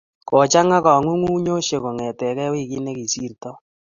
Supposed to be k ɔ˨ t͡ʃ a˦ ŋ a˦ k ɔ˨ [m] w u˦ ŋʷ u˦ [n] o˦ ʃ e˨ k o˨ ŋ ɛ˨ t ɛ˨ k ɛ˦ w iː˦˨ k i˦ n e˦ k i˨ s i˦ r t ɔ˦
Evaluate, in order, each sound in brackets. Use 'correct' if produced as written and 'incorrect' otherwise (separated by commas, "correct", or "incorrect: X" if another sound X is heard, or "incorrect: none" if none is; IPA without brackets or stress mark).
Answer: incorrect: ŋ, incorrect: ɲ